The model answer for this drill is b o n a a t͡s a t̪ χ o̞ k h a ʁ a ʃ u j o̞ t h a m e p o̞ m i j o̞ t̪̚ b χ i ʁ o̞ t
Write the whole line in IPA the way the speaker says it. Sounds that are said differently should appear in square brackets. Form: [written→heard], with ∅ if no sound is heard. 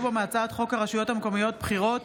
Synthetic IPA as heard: b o [n→m] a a t͡s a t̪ χ o̞ k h a ʁ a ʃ u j o̞ t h a m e [p→k] o̞ m i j o̞ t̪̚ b χ i ʁ o̞ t